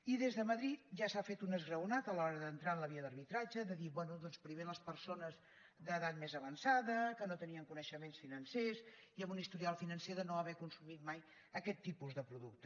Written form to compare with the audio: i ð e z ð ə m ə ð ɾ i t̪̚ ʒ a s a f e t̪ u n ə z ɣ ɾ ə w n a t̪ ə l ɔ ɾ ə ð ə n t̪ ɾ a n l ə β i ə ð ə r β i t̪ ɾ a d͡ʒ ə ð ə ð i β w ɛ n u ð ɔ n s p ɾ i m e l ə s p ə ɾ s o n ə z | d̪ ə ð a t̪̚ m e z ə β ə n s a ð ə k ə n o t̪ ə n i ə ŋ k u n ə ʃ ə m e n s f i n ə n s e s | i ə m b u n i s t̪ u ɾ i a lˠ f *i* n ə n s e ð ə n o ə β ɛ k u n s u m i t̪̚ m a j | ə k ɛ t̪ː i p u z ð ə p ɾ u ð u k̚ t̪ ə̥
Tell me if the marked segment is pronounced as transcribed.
yes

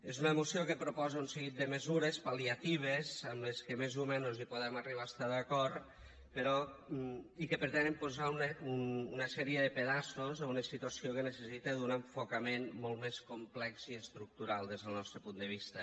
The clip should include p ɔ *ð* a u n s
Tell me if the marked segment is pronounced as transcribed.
no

